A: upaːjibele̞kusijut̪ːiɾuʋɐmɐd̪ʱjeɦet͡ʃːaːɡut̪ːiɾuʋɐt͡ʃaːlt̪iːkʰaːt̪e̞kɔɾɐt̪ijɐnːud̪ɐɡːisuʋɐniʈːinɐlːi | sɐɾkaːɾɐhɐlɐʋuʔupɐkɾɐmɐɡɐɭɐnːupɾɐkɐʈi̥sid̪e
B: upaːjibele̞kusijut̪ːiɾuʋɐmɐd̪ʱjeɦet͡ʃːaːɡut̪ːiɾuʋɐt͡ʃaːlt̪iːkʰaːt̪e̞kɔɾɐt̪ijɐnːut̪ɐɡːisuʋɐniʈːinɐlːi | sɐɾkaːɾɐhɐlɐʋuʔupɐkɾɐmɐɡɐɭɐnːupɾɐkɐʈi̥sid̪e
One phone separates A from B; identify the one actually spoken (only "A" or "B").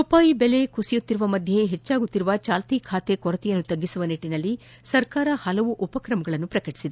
B